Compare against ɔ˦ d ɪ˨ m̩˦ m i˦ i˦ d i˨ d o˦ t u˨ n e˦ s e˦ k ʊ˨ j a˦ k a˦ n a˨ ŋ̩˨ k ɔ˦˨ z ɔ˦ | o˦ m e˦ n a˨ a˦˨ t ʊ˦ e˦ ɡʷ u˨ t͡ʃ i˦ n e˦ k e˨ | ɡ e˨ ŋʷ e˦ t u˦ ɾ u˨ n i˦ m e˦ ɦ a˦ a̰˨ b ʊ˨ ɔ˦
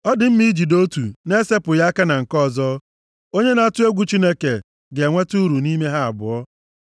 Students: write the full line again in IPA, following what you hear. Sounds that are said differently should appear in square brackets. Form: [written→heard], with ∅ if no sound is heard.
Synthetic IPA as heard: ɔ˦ d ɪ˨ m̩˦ m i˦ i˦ [d→d͡ʒ] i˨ d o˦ t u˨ n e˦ s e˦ [k→p] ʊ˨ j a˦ k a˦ n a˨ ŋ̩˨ k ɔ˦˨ z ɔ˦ | o˦ [m→ɲ] e˦ n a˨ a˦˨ t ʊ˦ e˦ ɡʷ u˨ t͡ʃ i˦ n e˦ k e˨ | ɡ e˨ ŋʷ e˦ t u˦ ɾ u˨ n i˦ m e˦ ɦ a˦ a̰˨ b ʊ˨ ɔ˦